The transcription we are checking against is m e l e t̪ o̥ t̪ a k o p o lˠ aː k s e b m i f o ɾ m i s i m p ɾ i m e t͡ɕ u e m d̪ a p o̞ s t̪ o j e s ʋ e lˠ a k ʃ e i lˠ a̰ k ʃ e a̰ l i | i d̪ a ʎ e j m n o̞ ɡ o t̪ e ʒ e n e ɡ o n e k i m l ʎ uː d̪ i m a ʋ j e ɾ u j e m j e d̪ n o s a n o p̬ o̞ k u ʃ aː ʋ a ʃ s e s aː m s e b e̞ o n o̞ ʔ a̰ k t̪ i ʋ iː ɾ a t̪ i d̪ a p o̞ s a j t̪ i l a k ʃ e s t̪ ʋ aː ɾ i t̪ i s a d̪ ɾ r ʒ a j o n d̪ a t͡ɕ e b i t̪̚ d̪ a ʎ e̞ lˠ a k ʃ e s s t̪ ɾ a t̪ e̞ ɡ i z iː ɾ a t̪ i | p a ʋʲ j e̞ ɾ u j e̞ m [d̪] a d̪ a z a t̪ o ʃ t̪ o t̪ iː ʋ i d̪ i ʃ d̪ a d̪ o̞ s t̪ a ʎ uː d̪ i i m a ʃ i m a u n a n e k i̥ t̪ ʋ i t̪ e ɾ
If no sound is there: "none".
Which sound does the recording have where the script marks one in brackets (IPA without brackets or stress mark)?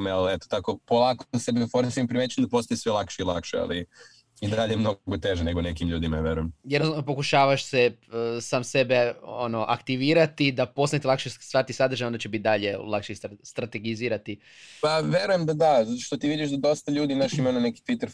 d̪